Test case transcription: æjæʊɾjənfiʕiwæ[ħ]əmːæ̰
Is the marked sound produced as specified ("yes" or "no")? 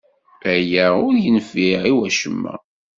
no